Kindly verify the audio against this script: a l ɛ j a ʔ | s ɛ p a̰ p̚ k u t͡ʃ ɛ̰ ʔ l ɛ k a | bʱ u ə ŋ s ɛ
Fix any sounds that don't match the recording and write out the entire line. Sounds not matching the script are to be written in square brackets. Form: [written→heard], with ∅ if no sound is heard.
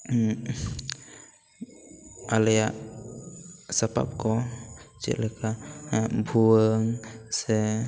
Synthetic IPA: a l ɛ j a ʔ | s [ɛ→a] p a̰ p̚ k [u→ɔ] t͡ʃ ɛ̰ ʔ l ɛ k a | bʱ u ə ŋ s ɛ